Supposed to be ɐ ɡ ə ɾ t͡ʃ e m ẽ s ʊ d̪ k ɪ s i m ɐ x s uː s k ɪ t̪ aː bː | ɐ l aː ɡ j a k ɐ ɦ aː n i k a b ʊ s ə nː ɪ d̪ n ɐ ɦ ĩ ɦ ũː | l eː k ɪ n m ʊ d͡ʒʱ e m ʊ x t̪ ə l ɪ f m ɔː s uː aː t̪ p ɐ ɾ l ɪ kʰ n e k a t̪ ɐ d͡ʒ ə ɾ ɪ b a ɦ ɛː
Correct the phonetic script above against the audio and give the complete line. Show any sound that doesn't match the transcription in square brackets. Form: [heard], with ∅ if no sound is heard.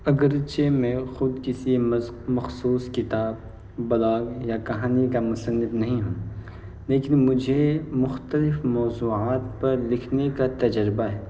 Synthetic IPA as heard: ɐ ɡ ə ɾ t͡ʃ e m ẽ [x] ʊ d̪ k ɪ s i m ɐ x s uː s k ɪ t̪ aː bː | ɐ l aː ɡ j a k ɐ ɦ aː n i k a [m] ʊ s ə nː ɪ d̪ n ɐ ɦ ĩ ɦ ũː | l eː k ɪ n m ʊ d͡ʒʱ e m ʊ x t̪ ə l ɪ f m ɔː [z] uː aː t̪ p ɐ ɾ l ɪ kʰ n e k a t̪ ɐ d͡ʒ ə ɾ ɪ b a ɦ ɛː